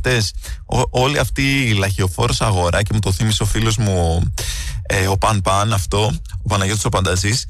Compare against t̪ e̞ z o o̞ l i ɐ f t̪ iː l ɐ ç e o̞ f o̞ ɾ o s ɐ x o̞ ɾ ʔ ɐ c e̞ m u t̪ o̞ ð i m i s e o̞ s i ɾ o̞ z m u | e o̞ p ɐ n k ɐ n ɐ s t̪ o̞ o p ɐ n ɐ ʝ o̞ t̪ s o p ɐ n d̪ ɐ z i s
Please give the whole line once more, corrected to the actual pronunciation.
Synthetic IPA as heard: t̪ e̞ s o o̞ l i ɐ f t̪ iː l ɐ ç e o̞ f o̞ ɾ o s ɐ ɣ o̞ ɾ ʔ ɐ c e̞ m u t̪ o̞ θ i m i s e o̞ f i l o̞ z m u | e o̞ p ɐ n p ɐ n ɐ f t̪ o̞ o p ɐ n ɐ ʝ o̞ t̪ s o p ɐ n d̪ ɐ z i s